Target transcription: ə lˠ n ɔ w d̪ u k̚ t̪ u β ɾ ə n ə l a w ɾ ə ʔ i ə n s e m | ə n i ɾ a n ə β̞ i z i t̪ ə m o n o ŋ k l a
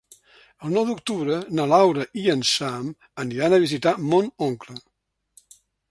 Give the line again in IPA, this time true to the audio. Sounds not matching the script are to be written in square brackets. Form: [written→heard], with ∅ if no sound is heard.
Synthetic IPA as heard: ə lˠ n ɔ w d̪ u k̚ t̪ u β ɾ ə n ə l a w ɾ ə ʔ i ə n s [e→a] m | ə n i ɾ a n ə β̞ i z i t̪ [ə→a] m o n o ŋ k l [a→ə]